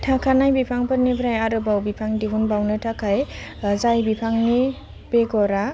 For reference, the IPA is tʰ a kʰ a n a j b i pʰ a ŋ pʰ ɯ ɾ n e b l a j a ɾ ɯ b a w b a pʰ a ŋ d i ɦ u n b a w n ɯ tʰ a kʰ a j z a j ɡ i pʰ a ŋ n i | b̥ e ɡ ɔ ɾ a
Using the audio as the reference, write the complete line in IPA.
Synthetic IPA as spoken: tʰ a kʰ a n a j b i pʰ a ŋ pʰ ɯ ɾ n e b ɾ a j a ɾ ɯ b a w b i pʰ a ŋ d i ɦ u n b a w n ɯ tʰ a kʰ a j z a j b i pʰ a ŋ n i | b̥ e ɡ ɔ ɾ a